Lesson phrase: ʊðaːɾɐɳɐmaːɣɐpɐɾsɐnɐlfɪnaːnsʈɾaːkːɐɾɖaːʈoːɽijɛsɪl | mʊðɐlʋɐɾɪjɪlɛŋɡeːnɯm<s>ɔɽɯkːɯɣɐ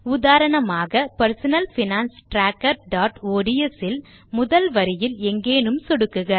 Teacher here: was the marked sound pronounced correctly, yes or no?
yes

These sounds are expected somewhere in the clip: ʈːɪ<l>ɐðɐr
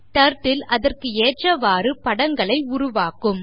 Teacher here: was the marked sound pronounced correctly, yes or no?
yes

